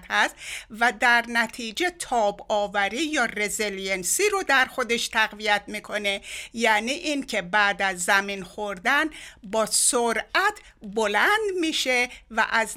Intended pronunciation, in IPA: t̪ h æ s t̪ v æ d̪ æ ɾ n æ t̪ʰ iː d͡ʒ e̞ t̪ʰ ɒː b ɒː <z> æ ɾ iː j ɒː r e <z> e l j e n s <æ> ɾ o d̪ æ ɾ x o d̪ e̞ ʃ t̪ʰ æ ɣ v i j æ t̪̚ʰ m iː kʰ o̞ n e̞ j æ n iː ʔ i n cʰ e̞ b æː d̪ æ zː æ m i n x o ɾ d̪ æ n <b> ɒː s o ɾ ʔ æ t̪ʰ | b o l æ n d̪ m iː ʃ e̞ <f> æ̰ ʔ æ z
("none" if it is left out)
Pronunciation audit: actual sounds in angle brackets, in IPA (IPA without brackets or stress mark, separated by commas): v, z, i, b, v